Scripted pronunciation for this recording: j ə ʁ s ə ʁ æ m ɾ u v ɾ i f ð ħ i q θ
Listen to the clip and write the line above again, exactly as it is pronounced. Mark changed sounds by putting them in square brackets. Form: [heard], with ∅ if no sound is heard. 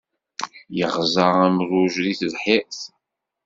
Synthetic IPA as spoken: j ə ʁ [z] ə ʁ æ m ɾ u [ʒ] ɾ i [θ] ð ħ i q θ